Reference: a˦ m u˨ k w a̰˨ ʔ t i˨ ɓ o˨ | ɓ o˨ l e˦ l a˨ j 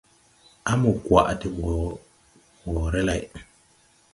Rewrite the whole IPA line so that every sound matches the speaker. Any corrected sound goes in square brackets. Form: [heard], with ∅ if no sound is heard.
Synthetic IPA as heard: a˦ m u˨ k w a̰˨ ʔ t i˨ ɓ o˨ | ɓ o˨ [ɾ] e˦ l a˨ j